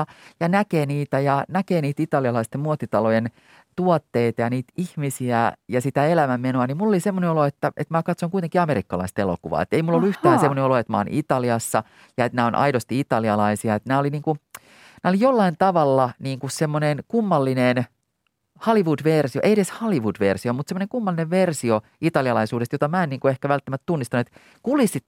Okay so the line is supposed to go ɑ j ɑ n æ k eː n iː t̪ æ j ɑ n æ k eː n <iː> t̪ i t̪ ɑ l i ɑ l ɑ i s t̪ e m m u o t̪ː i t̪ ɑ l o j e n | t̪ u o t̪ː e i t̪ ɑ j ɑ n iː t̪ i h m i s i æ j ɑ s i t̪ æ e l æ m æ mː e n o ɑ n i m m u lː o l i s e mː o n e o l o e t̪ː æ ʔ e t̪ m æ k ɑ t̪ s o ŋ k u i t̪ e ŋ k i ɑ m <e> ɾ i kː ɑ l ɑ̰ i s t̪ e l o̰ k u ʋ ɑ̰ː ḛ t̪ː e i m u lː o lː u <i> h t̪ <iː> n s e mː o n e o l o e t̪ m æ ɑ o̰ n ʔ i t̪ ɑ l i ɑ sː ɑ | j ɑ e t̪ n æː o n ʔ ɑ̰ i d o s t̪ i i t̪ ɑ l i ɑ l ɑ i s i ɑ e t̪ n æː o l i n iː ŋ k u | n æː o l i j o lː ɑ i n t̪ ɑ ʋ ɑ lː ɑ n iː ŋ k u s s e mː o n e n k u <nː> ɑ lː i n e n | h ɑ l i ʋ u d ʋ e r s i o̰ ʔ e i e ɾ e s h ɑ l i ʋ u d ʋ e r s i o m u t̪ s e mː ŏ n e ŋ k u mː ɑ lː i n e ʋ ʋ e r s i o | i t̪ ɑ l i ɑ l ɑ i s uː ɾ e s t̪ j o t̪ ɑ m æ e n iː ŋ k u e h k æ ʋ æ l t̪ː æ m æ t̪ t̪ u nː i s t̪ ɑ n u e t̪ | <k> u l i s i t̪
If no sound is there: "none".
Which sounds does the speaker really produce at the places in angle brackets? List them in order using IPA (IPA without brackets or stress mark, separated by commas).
iː, e, y, æː, mː, k